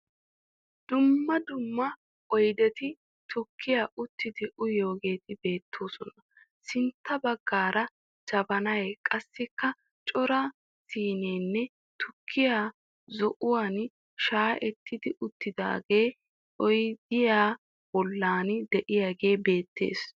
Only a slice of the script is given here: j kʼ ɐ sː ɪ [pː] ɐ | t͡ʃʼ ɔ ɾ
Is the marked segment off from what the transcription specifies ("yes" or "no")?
yes